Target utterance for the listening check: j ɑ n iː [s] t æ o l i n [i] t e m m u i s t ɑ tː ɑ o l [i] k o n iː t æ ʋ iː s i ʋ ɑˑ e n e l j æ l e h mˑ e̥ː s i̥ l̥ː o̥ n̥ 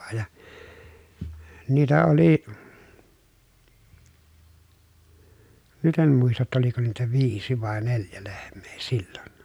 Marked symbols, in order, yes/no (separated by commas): no, no, yes